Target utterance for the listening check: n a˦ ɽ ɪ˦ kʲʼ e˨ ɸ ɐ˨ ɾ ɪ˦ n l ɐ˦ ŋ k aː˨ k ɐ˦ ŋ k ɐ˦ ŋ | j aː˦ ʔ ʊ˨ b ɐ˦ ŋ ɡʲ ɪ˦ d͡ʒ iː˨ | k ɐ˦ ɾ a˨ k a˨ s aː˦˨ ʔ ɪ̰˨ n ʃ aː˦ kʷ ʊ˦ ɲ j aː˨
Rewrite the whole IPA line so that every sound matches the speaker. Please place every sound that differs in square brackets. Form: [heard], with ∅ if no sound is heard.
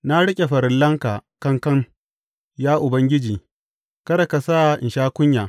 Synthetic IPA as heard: n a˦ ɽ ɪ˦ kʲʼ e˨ ɸ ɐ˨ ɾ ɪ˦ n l ɐ˦ ŋ k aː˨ k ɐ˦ ŋ k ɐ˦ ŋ | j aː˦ ʔ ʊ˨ b ɐ˦ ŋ ɡʲ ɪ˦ d͡ʒ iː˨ | k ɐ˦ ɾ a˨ k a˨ s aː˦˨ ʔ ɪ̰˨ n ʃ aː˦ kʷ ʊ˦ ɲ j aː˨